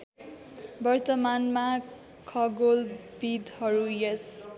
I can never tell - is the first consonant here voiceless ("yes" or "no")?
no